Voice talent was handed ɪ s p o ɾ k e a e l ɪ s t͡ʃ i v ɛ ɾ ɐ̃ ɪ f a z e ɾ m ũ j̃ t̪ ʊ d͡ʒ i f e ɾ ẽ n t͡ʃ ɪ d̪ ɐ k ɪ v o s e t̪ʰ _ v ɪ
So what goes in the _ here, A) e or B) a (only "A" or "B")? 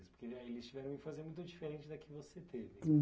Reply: A